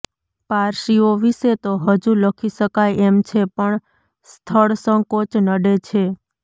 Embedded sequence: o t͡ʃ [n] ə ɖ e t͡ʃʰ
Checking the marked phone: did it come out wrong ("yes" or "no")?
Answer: no